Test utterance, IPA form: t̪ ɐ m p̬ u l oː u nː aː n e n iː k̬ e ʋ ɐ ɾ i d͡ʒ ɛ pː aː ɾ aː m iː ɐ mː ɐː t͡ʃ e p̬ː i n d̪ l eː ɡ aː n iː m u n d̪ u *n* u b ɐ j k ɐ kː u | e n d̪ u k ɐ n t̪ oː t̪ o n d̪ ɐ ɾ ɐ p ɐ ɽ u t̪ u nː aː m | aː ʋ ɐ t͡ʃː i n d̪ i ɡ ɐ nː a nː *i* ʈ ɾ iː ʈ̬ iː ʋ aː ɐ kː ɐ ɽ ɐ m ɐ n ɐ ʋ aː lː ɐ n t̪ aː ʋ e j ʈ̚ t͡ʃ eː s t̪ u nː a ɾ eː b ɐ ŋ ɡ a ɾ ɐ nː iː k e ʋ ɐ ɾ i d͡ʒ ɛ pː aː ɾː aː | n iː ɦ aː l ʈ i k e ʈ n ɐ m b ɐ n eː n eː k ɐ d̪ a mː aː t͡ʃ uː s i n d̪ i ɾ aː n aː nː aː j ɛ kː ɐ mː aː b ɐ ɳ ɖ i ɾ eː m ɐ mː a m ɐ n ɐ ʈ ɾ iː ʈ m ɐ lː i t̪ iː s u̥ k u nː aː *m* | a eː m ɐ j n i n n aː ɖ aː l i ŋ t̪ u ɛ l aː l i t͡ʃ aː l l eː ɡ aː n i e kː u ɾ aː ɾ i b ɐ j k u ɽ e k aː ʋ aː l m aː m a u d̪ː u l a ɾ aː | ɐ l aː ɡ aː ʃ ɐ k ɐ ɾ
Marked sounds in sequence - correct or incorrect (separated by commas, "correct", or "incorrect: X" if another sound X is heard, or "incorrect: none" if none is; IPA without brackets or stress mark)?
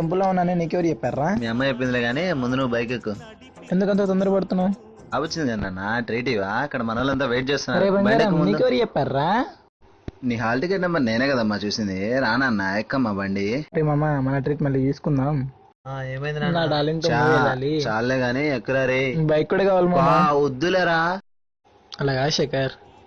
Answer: correct, incorrect: a, correct